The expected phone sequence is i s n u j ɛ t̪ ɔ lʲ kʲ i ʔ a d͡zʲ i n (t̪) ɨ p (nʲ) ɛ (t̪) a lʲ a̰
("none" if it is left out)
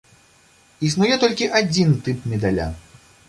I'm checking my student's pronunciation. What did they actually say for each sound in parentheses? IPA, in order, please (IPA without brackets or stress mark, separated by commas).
t̪, mʲ, d̪